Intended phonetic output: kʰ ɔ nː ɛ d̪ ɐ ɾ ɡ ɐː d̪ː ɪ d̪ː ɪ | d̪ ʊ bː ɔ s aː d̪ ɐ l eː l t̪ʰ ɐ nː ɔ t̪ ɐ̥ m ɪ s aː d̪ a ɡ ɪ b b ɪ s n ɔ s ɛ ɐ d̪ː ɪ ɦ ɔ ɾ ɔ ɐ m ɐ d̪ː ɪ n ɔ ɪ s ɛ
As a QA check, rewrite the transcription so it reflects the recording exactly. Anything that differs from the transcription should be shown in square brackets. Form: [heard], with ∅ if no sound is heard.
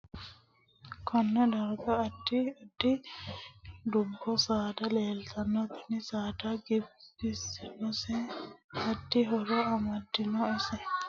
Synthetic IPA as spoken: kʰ ɔ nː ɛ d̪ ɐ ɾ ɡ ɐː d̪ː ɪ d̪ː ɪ | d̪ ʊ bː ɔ s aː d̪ ɐ l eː l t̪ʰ ɐ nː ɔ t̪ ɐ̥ [n] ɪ s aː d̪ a ɡ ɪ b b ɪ s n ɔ s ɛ ɐ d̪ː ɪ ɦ ɔ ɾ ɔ ɐ m ɐ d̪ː ɪ n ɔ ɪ s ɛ